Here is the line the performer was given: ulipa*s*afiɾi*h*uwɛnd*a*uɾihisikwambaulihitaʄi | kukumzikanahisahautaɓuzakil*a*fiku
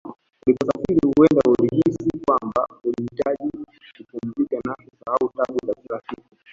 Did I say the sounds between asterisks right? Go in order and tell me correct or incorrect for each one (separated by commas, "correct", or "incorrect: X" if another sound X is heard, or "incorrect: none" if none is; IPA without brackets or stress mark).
correct, correct, correct, correct